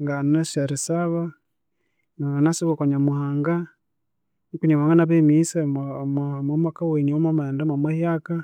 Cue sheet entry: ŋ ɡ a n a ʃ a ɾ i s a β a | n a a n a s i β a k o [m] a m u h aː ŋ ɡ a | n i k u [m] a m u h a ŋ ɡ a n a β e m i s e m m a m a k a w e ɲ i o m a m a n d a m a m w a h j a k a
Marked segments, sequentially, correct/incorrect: incorrect: ɲ, incorrect: ɲ

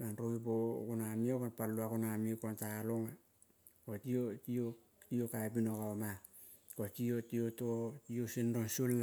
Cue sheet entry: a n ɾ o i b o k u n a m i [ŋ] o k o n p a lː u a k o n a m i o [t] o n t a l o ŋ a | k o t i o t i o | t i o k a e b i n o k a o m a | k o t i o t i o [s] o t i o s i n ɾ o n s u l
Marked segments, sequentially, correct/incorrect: incorrect: none, incorrect: k, incorrect: t

